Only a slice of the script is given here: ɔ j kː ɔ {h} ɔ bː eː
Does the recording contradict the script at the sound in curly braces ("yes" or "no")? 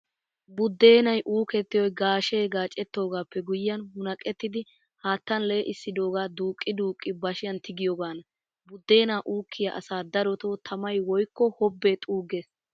no